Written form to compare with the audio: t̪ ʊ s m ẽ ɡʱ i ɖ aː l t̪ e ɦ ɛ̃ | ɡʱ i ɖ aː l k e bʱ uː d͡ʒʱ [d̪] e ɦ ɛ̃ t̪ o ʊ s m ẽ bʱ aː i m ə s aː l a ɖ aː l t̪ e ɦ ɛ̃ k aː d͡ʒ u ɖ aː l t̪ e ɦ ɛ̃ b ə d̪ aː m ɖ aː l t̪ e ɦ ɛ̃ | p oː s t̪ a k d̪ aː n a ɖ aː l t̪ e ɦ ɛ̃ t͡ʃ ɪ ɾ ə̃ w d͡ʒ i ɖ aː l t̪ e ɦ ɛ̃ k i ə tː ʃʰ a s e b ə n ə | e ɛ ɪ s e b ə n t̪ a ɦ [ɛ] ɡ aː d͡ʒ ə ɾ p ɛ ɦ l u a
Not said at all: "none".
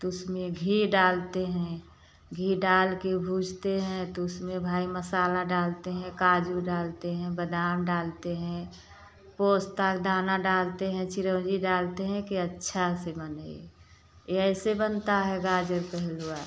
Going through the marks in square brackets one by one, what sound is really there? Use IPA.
t̪, ɛ

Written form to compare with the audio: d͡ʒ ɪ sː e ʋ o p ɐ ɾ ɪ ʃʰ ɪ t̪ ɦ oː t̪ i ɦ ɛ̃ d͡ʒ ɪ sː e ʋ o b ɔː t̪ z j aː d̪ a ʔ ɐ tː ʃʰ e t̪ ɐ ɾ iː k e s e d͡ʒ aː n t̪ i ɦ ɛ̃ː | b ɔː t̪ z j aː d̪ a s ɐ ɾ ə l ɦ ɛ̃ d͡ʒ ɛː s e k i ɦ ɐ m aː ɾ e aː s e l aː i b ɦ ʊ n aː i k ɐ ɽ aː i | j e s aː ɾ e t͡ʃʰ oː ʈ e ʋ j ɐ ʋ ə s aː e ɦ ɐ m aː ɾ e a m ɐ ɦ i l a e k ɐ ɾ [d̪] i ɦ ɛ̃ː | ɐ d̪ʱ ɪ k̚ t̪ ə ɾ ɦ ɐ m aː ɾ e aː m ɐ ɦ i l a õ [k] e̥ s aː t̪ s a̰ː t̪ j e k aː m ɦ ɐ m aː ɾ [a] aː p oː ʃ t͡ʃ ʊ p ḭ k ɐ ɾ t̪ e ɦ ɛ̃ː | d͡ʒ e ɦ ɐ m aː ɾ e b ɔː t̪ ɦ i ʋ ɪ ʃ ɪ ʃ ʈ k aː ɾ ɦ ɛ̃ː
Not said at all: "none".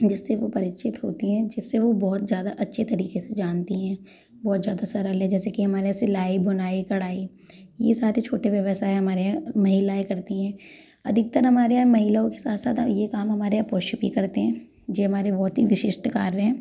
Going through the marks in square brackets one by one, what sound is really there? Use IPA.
t̪, k, e

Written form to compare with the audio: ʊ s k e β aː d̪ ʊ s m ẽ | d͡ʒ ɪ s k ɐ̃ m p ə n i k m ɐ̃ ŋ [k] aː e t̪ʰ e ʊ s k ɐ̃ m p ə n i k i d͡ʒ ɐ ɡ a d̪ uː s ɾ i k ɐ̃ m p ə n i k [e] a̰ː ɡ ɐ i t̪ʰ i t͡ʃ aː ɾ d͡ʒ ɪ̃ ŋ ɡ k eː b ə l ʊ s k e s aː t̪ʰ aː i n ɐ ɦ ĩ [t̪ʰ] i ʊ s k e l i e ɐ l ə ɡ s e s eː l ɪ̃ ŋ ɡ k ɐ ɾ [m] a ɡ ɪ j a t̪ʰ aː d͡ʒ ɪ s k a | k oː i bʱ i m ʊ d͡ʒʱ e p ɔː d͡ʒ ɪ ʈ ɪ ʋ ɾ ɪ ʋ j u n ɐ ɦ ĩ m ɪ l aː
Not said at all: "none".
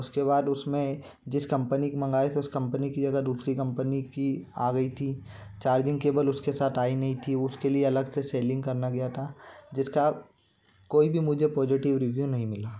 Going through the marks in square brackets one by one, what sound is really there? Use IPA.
ɡ, i, t̪ʰ, n

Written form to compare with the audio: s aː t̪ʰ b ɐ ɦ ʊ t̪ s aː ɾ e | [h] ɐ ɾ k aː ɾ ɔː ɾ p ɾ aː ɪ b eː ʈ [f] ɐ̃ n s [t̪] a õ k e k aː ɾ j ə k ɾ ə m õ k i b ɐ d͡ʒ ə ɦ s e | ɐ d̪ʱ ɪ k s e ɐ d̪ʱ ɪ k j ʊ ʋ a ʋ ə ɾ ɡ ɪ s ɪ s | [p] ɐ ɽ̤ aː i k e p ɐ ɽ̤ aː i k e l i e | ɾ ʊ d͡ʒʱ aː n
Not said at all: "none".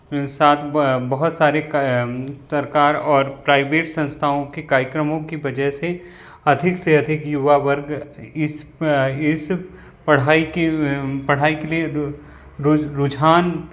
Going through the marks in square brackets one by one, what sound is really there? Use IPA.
s, s, t̪ʰ, p

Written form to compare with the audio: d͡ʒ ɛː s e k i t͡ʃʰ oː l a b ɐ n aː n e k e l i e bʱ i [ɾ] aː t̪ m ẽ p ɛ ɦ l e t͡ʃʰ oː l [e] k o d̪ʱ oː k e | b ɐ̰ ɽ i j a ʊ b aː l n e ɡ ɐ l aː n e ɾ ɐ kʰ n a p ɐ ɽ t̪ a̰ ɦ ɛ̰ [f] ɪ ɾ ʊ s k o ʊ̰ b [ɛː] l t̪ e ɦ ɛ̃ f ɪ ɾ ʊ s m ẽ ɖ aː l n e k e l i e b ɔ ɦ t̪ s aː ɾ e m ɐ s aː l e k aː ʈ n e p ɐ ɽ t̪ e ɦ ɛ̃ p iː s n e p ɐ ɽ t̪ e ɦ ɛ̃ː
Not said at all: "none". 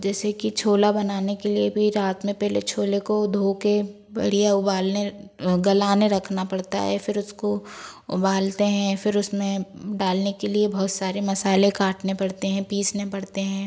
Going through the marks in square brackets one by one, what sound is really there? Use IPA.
ɾ, e, f, aː

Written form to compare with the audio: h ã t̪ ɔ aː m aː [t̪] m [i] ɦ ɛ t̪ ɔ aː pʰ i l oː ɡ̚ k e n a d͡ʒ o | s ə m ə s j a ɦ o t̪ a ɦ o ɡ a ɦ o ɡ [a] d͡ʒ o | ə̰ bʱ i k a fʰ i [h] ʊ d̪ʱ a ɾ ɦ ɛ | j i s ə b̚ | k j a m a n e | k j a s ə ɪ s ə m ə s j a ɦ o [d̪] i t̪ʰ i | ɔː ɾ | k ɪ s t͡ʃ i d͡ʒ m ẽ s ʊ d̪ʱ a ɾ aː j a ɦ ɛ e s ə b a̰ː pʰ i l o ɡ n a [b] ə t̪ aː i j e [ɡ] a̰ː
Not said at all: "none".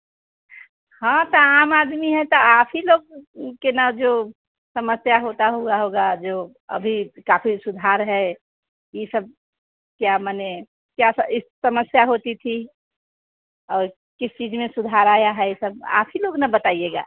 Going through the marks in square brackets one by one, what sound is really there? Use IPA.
d̪, i, a, s, t̪, b, ɡ

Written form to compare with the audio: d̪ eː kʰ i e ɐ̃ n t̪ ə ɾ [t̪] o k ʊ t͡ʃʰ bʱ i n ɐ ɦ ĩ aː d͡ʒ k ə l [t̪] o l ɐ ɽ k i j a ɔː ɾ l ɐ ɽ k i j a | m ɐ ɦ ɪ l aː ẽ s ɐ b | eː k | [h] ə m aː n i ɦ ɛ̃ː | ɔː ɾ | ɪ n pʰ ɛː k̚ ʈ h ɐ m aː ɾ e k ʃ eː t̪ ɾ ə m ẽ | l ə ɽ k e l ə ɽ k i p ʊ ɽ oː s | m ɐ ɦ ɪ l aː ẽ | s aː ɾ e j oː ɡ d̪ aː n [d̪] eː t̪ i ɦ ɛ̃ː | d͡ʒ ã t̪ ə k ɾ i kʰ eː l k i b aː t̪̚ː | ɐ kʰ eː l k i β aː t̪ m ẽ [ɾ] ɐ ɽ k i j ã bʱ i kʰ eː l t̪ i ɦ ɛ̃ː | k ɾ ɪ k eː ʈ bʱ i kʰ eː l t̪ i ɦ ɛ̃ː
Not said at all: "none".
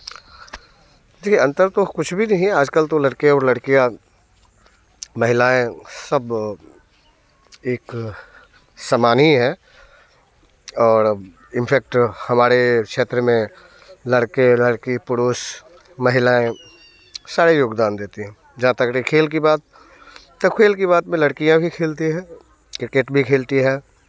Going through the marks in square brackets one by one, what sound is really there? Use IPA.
t̪, t̪, s, d̪, l

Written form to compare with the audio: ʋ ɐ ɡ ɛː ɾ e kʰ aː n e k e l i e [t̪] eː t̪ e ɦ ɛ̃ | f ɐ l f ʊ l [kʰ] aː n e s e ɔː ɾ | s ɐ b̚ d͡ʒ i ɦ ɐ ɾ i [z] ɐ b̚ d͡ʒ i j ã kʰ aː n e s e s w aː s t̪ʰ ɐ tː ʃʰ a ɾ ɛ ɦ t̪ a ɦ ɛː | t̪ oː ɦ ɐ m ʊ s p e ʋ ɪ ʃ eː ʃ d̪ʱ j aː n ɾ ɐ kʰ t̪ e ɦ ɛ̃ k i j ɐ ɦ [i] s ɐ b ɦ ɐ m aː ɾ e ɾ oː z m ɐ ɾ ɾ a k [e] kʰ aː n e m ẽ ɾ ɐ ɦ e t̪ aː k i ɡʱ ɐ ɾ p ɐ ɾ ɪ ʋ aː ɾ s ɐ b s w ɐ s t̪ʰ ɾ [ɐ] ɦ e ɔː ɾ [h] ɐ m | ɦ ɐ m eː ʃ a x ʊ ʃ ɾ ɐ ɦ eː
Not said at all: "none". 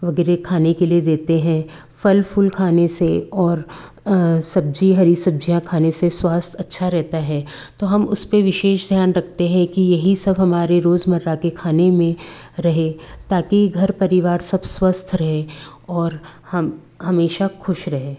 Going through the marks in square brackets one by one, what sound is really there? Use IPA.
d̪, kʰ, s, i, e, ɐ, h

